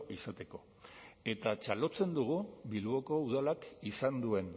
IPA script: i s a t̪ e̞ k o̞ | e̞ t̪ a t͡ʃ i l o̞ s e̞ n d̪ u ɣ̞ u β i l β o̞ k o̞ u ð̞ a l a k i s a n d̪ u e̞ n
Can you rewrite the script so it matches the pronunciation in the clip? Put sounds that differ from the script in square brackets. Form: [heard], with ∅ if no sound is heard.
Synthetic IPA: i s a t̪ e̞ k o̞ | e̞ t̪ a t͡ʃ [a] l o̞ [t͡s] e̞ n d̪ u ɣ̞ u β i l β o̞ k o̞ u ð̞ a l a k i s a n d̪ u e̞ n